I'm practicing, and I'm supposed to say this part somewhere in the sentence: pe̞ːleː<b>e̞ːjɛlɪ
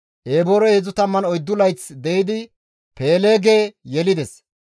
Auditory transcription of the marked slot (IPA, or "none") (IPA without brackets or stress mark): ɡ